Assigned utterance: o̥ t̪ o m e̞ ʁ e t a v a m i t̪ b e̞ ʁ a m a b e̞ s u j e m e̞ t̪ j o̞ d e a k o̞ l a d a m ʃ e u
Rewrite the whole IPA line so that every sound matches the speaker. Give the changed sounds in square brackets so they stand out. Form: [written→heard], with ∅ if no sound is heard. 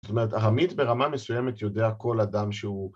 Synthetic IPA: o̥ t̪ o m e̞ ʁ e t a [v→ʁ] a m i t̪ b e̞ ʁ a m a [b→m] e̞ s u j e m e̞ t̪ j o̞ d e a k o̞ l a d a m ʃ e u